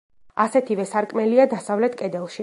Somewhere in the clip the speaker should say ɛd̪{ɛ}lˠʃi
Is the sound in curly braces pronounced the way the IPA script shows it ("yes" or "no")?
yes